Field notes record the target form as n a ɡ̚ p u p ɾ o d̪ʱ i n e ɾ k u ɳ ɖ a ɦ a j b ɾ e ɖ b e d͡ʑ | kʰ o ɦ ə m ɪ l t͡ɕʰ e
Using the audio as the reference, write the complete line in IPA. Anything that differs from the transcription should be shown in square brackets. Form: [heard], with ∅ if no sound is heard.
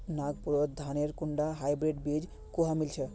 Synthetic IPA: n a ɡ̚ p u [∅] ɾ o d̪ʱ [a] n e ɾ k u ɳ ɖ a ɦ a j b ɾ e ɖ b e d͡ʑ | [k] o ɦ [a] m [i] l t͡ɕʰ e